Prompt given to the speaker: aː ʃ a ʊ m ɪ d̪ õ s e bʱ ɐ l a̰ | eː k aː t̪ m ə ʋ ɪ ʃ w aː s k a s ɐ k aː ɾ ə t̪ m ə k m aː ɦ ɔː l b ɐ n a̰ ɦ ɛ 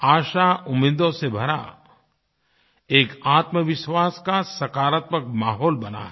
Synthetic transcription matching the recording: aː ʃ a ʊ m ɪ d̪ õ s e bʱ ɐ ɾ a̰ | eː k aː t̪ m ə ʋ ɪ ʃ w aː s k a s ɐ k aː ɾ ə t̪ m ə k m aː ɦ ɔː l b ɐ n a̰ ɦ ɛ